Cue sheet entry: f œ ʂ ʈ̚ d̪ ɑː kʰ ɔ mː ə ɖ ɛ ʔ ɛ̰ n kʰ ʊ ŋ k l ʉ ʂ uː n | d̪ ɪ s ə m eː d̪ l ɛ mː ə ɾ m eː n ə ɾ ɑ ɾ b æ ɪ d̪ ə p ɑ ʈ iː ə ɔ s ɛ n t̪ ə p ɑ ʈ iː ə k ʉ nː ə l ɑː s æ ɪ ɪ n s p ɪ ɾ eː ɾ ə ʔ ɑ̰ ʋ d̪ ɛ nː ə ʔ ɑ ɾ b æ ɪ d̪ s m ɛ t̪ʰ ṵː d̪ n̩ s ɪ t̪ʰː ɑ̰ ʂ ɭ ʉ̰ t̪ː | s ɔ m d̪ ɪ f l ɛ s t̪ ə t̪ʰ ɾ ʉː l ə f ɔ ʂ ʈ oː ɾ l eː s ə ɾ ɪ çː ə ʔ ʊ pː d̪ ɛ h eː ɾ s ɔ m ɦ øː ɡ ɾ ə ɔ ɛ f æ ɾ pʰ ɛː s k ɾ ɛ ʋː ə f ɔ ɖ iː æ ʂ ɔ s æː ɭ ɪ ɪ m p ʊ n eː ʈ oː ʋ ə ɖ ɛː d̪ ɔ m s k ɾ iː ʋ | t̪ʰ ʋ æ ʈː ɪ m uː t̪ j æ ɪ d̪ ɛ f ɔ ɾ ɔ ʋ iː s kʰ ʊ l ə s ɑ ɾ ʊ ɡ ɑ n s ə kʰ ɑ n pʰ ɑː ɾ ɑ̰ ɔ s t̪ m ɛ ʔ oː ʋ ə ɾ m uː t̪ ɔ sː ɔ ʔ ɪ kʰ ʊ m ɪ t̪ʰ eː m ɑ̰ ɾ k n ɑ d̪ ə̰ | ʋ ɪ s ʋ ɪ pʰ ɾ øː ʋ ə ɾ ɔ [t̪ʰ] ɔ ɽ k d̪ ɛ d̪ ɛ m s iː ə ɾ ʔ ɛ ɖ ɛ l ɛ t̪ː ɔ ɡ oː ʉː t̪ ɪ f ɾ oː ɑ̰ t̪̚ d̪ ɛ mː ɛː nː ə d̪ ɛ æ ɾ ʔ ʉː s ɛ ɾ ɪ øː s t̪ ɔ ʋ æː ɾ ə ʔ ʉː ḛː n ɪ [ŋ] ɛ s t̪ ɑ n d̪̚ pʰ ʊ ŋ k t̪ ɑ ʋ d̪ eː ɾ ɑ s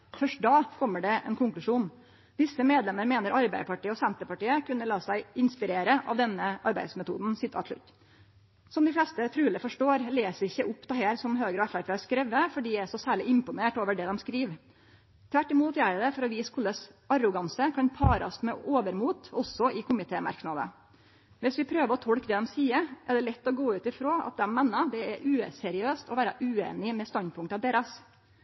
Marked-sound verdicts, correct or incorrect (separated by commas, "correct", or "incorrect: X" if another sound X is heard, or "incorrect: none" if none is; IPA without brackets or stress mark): correct, incorrect: m